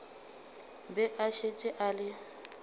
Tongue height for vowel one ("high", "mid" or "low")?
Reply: mid